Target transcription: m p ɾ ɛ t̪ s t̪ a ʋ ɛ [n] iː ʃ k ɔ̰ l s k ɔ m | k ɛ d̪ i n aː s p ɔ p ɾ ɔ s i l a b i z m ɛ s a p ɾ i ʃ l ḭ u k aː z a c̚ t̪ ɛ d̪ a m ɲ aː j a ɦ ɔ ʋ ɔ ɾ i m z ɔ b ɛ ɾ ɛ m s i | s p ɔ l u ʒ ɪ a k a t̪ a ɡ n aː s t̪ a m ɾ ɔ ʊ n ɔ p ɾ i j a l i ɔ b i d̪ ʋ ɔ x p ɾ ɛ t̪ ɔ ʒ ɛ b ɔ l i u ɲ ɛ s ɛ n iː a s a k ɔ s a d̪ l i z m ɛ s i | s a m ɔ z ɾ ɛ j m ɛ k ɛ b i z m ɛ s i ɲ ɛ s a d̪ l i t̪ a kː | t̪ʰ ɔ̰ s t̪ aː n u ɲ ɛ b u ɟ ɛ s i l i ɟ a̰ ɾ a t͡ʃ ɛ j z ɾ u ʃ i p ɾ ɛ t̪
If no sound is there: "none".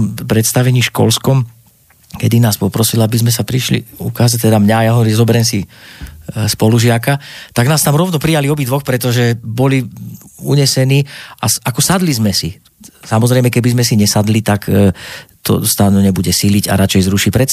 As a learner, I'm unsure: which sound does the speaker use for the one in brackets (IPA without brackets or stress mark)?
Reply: ɲ